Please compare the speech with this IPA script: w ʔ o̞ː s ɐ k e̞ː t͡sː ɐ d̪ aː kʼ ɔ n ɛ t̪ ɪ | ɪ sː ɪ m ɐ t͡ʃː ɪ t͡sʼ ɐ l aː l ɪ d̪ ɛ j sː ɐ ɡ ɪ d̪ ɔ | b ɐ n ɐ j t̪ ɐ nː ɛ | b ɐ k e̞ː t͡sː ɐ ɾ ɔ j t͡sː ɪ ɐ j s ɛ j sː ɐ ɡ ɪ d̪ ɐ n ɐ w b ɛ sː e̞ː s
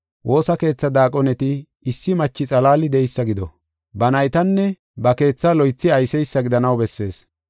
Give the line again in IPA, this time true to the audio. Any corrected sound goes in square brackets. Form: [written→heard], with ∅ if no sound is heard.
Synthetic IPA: w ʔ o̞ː s ɐ k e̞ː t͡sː ɐ d̪ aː kʼ ɔ n ɛ t̪ ɪ | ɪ sː ɪ m ɐ t͡ʃː ɪ t͡sʼ ɐ l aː l ɪ d̪ ɛ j sː ɐ ɡ ɪ d̪ ɔ | b ɐ n ɐ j t̪ ɐ nː ɛ | b ɐ k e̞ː t͡sː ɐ [ɾ→l] ɔ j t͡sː ɪ ɐ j s ɛ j sː ɐ ɡ ɪ d̪ ɐ n ɐ w b ɛ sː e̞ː s

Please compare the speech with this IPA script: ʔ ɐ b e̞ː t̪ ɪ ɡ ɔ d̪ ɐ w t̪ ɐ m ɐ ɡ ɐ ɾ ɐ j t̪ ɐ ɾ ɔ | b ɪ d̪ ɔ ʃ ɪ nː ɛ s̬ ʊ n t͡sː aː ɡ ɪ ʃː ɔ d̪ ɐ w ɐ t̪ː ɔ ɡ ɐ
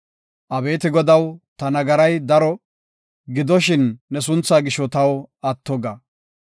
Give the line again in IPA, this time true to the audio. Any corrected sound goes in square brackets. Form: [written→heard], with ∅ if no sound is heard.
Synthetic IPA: ʔ ɐ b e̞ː t̪ ɪ ɡ ɔ d̪ ɐ w t̪ ɐ [m→n] ɐ ɡ ɐ ɾ ɐ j [t̪→d̪] ɐ ɾ ɔ | [b→ɡ] ɪ d̪ ɔ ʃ ɪ nː ɛ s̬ ʊ n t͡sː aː ɡ ɪ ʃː ɔ [d̪→t̪] ɐ w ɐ t̪ː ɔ ɡ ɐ

